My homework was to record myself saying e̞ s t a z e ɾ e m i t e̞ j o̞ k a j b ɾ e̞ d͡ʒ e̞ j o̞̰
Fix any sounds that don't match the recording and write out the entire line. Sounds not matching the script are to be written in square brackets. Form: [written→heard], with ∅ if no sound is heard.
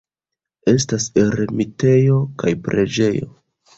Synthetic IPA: e̞ s t a [z→s] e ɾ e m i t e̞ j o̞ k a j [b→p] ɾ e̞ d͡ʒ e̞ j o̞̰